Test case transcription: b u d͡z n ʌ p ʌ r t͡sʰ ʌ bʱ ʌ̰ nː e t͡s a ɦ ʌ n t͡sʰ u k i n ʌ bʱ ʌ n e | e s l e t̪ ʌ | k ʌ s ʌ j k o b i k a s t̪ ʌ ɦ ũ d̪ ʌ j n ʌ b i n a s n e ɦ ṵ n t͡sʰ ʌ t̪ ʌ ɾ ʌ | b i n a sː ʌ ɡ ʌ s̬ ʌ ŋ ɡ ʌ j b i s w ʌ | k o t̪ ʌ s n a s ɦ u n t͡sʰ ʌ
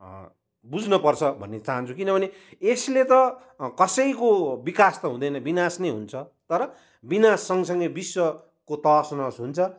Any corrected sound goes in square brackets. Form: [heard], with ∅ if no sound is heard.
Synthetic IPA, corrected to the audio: b u d͡z n ʌ p ʌ r t͡sʰ ʌ bʱ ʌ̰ nː e t͡s a ɦ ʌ n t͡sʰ u k i n ʌ bʱ ʌ n e | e s l e t̪ ʌ | k ʌ s ʌ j k o b i k a s t̪ ʌ ɦ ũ d̪ ʌ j n ʌ b i n a s n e ɦ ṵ n t͡sʰ ʌ t̪ ʌ ɾ ʌ | b i n a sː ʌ [ŋ] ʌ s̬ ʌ ŋ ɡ ʌ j b i s w ʌ | k o t̪ ʌ s n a s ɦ u n t͡sʰ ʌ